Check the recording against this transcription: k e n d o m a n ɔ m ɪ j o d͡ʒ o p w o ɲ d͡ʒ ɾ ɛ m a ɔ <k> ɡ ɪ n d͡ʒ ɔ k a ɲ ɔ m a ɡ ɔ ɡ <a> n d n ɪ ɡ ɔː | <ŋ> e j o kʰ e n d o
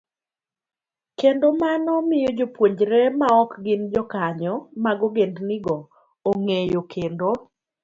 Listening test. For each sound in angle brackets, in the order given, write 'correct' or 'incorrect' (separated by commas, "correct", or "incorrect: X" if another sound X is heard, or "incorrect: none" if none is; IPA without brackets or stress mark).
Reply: correct, incorrect: e, correct